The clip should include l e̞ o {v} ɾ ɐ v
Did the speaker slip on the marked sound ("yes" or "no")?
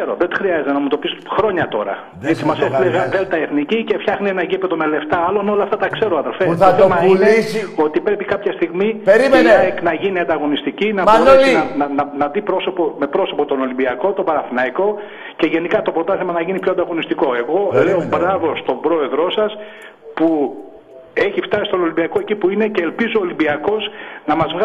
yes